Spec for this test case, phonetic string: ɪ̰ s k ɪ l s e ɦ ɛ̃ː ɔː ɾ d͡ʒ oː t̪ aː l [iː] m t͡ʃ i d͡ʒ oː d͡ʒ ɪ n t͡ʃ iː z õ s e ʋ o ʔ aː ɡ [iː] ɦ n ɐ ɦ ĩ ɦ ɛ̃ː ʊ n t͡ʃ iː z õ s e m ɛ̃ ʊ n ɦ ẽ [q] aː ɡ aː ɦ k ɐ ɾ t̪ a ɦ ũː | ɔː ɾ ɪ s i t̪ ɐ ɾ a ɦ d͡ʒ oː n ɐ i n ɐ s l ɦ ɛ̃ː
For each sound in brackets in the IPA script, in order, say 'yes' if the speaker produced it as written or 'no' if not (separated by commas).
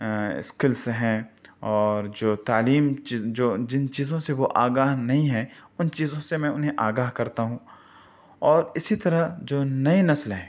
yes, no, no